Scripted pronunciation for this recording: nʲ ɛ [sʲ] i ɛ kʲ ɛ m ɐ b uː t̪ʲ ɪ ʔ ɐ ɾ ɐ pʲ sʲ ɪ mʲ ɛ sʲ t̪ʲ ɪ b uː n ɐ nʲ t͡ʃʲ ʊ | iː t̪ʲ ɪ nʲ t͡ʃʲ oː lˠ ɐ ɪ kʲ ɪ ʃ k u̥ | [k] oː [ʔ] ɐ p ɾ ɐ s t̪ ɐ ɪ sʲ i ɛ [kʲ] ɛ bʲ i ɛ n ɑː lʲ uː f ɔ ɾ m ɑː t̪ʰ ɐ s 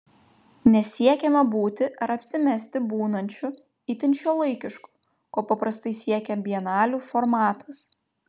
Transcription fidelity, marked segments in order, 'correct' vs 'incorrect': correct, correct, incorrect: p, correct

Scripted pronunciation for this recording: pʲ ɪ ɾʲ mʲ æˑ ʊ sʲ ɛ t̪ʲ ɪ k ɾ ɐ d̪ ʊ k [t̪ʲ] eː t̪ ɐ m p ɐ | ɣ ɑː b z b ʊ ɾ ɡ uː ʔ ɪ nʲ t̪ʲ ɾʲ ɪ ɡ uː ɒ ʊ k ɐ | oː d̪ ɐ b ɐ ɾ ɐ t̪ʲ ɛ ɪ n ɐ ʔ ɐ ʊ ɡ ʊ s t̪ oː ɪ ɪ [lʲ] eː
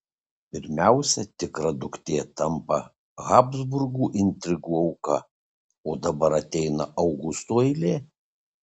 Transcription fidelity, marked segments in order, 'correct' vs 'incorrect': correct, correct

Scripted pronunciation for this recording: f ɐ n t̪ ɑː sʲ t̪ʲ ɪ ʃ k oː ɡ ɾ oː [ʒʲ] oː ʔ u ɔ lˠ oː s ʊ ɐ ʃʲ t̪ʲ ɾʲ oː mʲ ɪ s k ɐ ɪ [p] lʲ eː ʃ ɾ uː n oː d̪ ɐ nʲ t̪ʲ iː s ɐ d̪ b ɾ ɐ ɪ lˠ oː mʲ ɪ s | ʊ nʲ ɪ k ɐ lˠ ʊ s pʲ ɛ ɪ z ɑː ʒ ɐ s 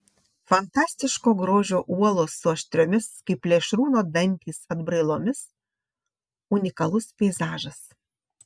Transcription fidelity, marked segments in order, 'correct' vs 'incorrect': correct, correct

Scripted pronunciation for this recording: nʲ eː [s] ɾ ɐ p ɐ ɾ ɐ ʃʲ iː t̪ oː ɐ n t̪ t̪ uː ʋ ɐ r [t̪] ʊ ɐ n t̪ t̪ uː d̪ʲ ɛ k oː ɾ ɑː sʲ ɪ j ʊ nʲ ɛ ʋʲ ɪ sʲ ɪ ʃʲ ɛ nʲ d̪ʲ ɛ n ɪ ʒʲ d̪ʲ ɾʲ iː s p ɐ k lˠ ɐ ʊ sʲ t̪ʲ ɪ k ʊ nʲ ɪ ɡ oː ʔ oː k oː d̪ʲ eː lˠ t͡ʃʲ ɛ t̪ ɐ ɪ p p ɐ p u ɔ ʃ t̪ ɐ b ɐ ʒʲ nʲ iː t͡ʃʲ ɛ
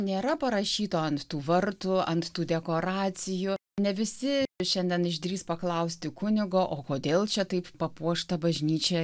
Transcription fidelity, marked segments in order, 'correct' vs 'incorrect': incorrect: none, correct

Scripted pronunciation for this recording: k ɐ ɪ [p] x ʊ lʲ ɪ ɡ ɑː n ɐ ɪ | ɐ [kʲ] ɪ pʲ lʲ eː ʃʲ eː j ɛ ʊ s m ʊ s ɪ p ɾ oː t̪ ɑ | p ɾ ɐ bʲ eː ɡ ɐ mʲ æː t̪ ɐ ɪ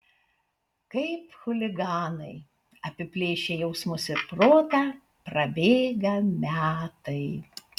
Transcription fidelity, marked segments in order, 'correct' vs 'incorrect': correct, incorrect: pʲ

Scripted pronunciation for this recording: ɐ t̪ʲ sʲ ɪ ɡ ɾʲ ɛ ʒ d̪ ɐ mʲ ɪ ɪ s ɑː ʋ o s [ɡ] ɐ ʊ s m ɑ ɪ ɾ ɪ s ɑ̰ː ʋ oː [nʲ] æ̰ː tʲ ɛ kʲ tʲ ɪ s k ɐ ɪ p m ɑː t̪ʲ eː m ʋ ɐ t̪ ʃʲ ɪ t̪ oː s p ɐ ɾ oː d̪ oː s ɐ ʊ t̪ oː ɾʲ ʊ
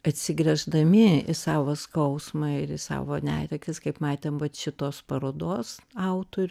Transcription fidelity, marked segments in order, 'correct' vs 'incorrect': incorrect: k, correct

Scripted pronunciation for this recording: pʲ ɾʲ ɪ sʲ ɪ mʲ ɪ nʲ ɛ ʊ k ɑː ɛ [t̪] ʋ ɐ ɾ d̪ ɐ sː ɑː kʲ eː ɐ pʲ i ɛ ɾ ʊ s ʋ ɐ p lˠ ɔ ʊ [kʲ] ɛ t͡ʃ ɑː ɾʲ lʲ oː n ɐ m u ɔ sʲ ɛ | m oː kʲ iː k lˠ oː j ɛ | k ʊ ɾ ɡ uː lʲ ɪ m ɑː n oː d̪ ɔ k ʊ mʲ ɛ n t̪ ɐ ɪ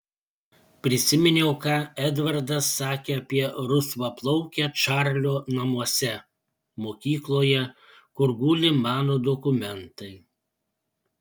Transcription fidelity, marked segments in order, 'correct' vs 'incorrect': incorrect: d̪, correct

